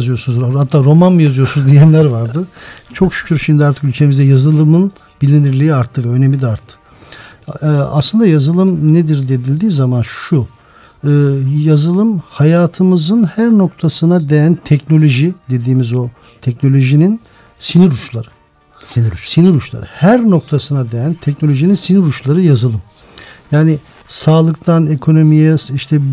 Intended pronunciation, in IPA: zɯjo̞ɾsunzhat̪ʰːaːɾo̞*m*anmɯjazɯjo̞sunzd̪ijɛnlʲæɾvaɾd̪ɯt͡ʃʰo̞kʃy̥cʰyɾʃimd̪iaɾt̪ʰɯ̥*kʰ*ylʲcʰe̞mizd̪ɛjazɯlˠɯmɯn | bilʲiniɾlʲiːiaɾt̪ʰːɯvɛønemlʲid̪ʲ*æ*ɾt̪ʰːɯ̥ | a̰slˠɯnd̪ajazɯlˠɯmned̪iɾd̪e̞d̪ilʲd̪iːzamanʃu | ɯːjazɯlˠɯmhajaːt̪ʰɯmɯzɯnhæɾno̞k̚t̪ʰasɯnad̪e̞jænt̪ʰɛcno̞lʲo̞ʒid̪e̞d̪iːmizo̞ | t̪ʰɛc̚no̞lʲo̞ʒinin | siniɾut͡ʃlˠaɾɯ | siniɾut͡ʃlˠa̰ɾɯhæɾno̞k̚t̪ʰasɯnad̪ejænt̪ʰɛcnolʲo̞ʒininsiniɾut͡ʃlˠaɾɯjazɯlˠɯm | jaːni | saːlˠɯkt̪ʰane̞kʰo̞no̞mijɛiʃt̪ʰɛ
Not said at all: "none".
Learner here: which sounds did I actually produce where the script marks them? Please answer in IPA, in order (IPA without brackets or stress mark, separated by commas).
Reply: m, k, a